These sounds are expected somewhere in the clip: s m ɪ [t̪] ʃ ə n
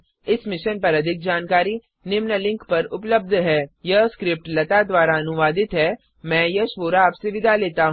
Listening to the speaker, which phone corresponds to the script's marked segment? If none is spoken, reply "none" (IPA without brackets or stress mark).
none